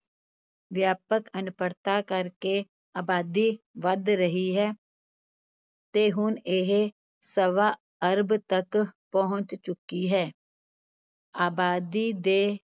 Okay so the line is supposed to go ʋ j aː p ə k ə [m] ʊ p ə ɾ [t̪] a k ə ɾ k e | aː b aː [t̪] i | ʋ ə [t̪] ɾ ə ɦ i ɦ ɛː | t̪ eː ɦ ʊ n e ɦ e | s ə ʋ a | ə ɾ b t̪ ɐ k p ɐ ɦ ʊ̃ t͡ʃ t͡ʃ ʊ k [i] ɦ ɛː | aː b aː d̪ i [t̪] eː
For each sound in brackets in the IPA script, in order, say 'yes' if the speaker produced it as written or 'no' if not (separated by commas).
no, yes, no, no, yes, no